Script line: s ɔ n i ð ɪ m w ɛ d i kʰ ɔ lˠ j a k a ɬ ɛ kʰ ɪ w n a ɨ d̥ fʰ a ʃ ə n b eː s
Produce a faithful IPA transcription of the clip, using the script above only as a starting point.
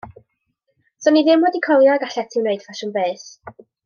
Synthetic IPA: s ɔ n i ð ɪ m w ɛ d i kʰ ɔ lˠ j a ɡ a ɬ ɛ tʰ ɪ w n e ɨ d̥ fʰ a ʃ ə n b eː s